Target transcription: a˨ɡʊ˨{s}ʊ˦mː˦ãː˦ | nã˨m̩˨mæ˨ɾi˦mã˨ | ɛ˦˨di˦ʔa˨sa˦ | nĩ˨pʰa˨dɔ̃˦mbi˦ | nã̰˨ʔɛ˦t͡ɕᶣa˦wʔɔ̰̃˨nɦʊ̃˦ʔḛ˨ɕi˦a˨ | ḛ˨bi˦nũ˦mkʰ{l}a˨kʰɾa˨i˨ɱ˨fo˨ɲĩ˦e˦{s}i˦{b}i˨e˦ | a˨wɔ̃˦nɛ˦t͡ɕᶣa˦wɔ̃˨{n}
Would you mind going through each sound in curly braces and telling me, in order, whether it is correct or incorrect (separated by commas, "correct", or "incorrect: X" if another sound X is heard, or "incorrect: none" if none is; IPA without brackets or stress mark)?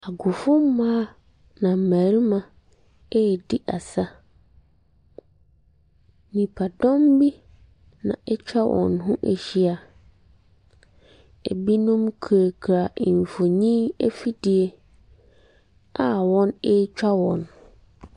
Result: incorrect: f, incorrect: ɾ, incorrect: f, incorrect: d, correct